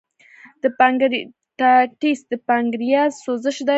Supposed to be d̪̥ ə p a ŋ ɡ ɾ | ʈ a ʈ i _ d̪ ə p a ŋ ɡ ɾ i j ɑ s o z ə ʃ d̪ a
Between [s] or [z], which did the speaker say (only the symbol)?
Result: s